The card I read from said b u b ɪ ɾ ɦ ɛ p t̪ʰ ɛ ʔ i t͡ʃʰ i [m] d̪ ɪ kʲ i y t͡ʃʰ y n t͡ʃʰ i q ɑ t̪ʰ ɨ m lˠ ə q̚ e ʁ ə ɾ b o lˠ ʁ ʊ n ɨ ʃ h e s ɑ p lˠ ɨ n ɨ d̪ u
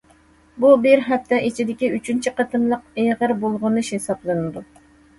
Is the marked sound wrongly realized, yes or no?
yes